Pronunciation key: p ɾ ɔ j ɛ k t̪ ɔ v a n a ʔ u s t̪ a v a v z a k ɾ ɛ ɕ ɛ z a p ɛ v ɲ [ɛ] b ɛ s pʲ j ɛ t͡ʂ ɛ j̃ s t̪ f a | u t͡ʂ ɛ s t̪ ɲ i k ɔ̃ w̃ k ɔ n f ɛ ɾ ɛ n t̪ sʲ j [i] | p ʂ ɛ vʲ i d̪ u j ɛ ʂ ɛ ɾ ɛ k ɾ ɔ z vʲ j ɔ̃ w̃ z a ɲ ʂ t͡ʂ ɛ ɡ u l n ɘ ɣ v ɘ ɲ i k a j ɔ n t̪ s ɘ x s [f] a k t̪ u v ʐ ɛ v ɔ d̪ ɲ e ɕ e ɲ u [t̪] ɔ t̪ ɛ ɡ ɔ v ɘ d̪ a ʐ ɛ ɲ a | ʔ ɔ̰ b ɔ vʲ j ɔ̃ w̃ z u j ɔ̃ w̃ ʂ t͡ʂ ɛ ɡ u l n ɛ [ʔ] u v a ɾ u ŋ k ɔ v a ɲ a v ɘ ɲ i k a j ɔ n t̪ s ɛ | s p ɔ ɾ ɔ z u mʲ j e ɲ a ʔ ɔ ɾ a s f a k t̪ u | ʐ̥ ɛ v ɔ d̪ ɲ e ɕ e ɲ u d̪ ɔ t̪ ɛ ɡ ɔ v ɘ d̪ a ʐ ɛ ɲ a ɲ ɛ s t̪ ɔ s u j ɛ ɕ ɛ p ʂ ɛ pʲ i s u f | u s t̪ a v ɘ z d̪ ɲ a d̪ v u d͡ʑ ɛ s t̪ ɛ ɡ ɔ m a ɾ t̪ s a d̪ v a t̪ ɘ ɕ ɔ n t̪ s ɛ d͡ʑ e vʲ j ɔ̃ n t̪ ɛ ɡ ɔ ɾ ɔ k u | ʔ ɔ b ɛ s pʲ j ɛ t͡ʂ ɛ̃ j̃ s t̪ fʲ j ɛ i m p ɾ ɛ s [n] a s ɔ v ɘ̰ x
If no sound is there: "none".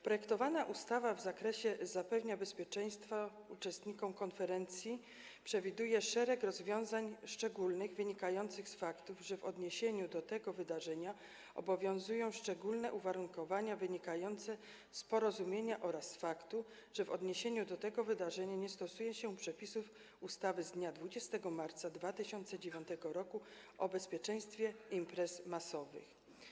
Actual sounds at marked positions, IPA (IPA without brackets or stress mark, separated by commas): a, i, f, d̪, ʔ, m